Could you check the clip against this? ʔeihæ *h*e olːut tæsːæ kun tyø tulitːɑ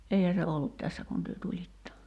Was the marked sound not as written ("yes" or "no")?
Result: yes